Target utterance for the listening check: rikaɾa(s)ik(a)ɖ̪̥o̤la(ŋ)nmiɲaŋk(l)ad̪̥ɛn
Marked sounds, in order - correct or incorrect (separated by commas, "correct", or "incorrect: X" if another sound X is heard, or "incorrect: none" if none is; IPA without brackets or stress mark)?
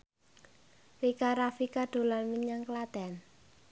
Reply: incorrect: f, correct, incorrect: none, correct